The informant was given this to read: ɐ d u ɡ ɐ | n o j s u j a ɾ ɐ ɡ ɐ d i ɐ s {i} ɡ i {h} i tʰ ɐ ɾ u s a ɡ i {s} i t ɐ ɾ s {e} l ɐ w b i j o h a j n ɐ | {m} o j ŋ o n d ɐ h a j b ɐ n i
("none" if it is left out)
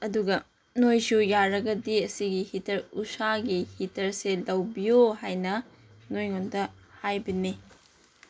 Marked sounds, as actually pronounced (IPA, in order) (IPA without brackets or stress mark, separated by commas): i, h, h, e, n